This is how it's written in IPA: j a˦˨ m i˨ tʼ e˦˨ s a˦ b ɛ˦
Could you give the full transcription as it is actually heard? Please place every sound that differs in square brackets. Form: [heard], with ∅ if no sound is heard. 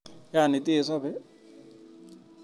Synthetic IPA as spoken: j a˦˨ [n] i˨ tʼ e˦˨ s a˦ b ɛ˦